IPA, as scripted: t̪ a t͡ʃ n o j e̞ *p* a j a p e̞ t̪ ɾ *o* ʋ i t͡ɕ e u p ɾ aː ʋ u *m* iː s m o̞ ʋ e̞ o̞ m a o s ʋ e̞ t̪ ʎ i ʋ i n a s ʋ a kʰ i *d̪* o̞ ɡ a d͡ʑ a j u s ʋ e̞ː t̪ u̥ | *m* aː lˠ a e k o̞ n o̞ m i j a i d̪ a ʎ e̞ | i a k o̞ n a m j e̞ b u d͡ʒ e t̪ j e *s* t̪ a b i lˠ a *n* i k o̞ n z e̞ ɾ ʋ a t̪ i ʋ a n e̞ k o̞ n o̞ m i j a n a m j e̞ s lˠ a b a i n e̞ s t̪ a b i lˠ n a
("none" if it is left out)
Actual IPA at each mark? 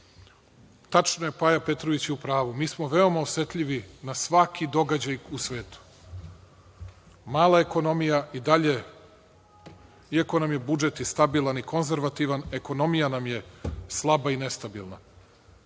p, o, m, d̪, m, s, n

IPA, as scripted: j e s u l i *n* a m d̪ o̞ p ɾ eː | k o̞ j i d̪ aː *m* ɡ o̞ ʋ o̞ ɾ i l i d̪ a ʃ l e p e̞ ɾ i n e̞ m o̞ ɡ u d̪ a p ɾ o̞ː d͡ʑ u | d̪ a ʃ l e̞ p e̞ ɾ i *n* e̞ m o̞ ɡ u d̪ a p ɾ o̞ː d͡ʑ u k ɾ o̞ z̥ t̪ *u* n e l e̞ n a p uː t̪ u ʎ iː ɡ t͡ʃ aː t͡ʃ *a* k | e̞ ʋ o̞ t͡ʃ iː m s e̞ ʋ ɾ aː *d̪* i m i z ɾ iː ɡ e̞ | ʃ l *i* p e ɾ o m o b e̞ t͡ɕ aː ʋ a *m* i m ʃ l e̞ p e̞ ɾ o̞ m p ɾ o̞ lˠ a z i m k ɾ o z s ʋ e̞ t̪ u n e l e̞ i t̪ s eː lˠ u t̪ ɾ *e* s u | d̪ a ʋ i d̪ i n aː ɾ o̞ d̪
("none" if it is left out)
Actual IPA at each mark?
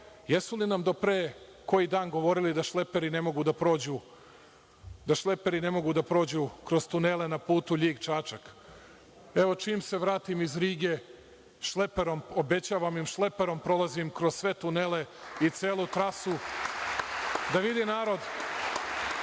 n, n, n, u, a, t̪, e, m, a

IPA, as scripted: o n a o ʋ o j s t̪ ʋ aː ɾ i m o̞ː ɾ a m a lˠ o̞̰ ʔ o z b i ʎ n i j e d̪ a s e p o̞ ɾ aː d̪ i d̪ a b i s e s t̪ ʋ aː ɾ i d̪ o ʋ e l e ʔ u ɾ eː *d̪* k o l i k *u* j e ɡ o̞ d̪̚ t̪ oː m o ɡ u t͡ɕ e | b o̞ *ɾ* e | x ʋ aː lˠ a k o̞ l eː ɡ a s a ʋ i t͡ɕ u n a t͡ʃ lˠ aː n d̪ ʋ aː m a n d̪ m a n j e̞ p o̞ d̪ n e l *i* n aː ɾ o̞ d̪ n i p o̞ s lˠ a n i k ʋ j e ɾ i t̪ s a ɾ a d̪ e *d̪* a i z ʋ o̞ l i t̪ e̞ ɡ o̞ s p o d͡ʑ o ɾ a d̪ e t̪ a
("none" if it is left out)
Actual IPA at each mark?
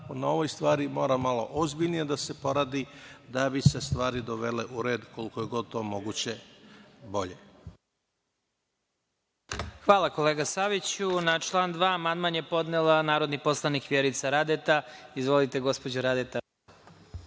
d̪, o, ʎ, a, t̪

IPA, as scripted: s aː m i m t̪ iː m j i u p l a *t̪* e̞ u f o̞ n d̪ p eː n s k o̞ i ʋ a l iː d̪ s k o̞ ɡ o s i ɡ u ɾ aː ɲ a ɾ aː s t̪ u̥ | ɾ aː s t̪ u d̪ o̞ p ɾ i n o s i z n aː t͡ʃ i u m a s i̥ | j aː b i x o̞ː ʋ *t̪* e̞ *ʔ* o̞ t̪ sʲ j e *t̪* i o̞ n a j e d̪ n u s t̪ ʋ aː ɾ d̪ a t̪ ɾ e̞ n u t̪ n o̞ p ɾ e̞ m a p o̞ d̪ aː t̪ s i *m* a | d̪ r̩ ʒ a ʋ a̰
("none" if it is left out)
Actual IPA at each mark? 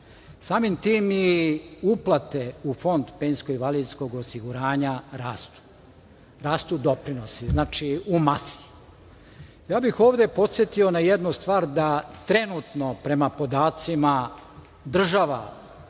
t̪, d̪, p, t̪, m

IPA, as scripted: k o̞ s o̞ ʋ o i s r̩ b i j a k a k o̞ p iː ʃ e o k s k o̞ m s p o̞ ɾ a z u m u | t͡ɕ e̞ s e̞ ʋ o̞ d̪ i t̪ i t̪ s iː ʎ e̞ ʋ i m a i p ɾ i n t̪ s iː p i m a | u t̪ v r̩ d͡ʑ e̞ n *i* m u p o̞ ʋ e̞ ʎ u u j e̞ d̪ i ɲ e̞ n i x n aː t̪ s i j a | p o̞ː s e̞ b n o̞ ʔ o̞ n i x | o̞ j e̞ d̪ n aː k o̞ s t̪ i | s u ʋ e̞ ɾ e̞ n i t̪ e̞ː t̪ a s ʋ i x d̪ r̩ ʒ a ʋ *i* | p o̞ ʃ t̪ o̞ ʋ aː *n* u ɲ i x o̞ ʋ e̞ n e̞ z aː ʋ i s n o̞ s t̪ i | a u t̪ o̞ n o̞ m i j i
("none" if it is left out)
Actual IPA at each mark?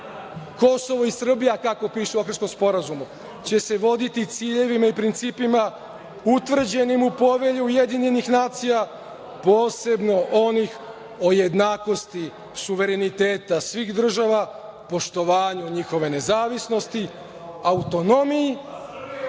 i, a, ɲ

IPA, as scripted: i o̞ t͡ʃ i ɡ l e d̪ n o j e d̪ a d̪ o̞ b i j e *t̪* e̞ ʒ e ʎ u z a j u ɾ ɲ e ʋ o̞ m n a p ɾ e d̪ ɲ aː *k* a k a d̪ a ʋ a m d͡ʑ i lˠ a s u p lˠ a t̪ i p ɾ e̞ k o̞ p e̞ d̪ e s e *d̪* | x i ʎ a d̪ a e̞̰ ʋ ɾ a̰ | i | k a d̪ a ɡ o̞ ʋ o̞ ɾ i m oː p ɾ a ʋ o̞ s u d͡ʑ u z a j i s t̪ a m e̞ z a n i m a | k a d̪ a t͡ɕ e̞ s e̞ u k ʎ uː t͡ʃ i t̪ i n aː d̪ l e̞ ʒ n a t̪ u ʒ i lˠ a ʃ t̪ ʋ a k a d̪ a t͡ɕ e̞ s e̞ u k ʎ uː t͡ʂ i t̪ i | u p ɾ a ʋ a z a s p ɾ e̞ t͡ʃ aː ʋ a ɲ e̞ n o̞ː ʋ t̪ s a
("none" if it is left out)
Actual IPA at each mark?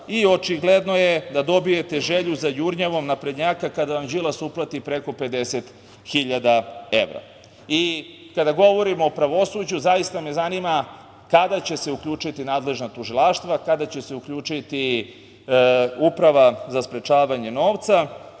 t̪, k, t̪

